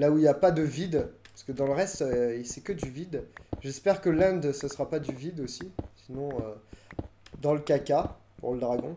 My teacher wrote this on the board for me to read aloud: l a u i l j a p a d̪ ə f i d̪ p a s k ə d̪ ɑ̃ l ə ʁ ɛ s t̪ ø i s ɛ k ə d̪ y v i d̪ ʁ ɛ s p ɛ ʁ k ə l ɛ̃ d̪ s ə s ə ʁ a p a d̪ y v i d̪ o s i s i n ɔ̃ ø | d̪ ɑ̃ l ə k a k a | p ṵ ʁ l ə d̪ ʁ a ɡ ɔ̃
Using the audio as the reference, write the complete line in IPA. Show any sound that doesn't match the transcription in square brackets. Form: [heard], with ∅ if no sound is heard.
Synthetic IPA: l a u i l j a p a d̪ ə [v] i d̪ p a s k ə d̪ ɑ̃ l ə ʁ ɛ s t̪ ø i s ɛ k ə d̪ y v i d̪ [ʒ] ɛ s p ɛ ʁ k ə l ɛ̃ d̪ s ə s ə ʁ a p a d̪ y v i d̪ o s i s i n ɔ̃ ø | d̪ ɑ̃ l ə k a k a | p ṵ ʁ l ə d̪ ʁ a ɡ ɔ̃